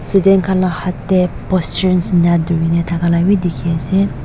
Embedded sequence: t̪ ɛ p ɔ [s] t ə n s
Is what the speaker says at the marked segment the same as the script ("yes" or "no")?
yes